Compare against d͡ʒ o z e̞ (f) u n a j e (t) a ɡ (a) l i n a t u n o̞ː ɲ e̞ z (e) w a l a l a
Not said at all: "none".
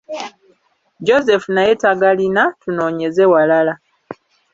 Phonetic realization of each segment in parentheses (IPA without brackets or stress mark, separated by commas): f, t, a, e